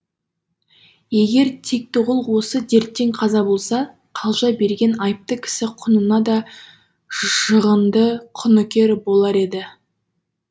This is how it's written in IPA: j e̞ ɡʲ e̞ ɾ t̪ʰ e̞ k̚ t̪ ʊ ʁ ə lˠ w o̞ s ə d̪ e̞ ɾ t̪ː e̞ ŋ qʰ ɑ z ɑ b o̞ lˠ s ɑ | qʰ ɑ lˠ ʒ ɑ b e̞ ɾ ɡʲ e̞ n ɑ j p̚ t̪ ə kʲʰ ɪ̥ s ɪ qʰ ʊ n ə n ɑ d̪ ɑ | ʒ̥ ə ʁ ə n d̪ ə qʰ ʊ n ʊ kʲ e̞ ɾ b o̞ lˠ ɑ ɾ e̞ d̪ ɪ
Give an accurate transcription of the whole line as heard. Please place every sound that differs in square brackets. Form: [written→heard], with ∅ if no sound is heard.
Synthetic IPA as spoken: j e̞ ɡʲ e̞ ɾ t̪ʰ e̞ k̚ t̪ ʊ ʁ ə lˠ w o̞ s ə d̪ e̞ ɾ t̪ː e̞ ŋ qʰ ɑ z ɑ b o̞ lˠ s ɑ | qʰ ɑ lˠ ʒ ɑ b e̞ ɾ ɡʲ e̞ n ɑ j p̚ t̪ ə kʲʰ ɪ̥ s ɪ qʰ ʊ n ə n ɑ d̪ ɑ | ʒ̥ ə ʁ ə n d̪ ə qʰ ʊ n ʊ kʲ e̞ ɾ b o̞ lˠ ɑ ɾ e̞ d̪ ɪ

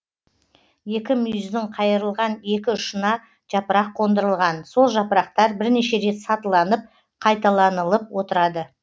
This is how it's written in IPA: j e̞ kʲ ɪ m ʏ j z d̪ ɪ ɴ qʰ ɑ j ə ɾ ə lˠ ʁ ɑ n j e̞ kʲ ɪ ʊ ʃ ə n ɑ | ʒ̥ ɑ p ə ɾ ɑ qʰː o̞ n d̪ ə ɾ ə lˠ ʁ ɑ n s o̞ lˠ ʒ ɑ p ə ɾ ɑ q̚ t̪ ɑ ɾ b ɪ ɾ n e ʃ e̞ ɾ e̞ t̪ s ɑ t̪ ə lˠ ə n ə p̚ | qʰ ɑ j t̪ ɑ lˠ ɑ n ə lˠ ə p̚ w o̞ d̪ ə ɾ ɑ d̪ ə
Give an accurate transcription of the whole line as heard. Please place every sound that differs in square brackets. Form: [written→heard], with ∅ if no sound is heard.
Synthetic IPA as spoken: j e̞ kʲ ɪ m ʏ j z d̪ ɪ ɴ qʰ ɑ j ə ɾ ə lˠ ʁ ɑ n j e̞ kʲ ɪ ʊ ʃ ə n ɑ | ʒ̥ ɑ p ə ɾ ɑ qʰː o̞ n d̪ ə ɾ ə lˠ ʁ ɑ n s o̞ lˠ ʒ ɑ p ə ɾ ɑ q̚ t̪ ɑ ɾ b ɪ ɾ n e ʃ e̞ ɾ e̞ t̪ s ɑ t̪ ə lˠ [ə→ɑ] n ə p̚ | qʰ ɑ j t̪ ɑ lˠ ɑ n ə lˠ ə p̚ w o̞ [d̪→t̪] ə ɾ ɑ d̪ ə

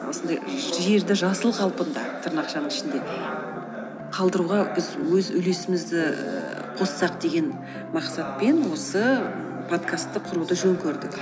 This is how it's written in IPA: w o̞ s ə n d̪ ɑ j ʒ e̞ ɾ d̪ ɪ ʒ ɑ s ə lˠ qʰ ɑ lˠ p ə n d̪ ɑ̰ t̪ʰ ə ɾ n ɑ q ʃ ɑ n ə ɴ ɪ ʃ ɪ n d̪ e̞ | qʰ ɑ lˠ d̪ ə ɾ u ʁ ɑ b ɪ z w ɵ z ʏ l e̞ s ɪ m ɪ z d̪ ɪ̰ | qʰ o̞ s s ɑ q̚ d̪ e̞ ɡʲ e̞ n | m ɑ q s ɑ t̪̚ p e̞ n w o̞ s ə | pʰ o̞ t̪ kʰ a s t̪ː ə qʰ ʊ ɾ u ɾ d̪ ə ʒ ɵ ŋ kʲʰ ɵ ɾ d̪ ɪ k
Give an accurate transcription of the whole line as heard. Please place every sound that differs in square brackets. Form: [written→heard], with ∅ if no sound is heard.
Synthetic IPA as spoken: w o̞ s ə n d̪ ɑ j ʒ e̞ ɾ d̪ ɪ ʒ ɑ s ə lˠ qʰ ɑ lˠ p ə n d̪ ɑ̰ t̪ʰ ə ɾ n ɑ q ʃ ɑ n ə ɴ ɪ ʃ ɪ n d̪ e̞ | qʰ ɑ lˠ d̪ ə ɾ u ʁ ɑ b ɪ z w ɵ z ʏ l e̞ s ɪ m ɪ z d̪ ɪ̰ | qʰ o̞ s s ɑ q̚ d̪ e̞ ɡʲ e̞ n | m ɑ q s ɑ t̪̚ p e̞ n w o̞ s ə | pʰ o̞ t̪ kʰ a s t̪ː ə qʰ ʊ ɾ u [ɾ→∅] d̪ ə ʒ ɵ ŋ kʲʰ ɵ ɾ d̪ ɪ k

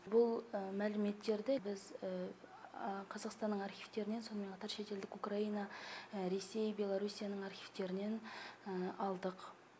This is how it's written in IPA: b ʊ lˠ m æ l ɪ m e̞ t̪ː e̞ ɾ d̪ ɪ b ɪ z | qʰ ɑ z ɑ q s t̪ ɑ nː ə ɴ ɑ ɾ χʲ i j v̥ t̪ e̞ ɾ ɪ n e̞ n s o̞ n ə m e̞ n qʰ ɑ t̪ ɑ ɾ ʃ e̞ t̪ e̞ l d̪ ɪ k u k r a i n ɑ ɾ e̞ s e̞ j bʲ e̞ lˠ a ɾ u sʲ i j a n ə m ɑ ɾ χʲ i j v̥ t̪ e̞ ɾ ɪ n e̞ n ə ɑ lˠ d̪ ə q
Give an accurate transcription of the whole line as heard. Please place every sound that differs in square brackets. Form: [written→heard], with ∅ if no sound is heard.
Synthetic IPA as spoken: b ʊ lˠ m æ l ɪ m e̞ t̪ː e̞ ɾ d̪ ɪ b ɪ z | qʰ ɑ z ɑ q s t̪ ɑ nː ə ɴ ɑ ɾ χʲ i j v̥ t̪ e̞ ɾ ɪ n e̞ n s o̞ n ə m e̞ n qʰ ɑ t̪ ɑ ɾ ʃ e̞ t̪ e̞ l d̪ ɪ k u k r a i n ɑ ɾ e̞ s e̞ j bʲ e̞ lˠ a ɾ u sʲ i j a n ə [m→ɴ] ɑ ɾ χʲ i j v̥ t̪ e̞ ɾ ɪ n e̞ n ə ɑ lˠ d̪ ə q

